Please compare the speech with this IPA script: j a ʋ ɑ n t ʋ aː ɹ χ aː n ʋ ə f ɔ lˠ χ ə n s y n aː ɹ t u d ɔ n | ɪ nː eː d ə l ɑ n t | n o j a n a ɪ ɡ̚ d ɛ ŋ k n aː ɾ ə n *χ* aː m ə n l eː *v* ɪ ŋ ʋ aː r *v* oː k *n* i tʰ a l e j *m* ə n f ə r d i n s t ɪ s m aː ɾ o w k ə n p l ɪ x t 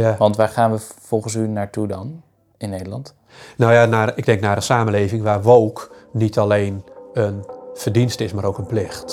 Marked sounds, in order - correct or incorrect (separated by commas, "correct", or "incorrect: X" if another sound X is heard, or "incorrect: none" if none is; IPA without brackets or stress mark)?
incorrect: s, correct, incorrect: ʋ, correct, incorrect: n